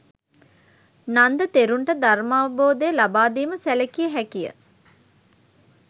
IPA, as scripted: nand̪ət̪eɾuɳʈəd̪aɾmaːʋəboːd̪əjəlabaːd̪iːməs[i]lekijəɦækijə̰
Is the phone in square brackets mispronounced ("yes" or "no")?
yes